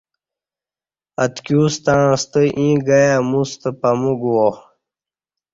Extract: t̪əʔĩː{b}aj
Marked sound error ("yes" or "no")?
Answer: yes